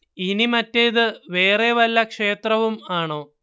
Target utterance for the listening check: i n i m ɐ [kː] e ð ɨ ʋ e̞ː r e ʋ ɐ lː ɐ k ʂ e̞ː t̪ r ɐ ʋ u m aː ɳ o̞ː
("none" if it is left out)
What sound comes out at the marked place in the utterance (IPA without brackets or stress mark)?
tː